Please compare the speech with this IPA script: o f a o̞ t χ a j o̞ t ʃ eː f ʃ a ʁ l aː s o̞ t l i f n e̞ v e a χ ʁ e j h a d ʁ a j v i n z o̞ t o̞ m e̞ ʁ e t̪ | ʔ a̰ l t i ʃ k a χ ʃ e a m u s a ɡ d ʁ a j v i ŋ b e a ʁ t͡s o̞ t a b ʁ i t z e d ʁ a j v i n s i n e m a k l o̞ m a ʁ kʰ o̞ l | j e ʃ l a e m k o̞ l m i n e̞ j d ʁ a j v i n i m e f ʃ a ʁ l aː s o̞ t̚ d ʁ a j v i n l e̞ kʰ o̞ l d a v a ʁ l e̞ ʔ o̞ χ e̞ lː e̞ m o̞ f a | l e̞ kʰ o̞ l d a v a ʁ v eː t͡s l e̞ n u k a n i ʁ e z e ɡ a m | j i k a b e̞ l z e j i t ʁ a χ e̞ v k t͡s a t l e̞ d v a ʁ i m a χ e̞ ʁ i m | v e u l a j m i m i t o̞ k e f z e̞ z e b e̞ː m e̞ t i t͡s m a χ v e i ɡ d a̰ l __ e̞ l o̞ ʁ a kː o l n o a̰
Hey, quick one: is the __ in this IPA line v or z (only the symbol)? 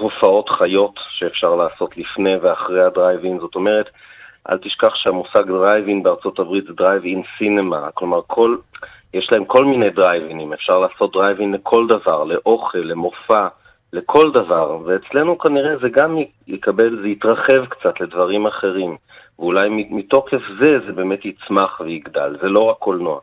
z